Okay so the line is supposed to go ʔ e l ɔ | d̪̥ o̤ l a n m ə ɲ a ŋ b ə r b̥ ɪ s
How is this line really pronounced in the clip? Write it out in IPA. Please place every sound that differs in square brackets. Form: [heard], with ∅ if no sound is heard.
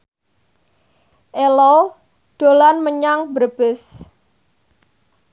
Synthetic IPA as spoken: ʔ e l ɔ | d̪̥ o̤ l a n m ə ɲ a ŋ b ə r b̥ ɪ s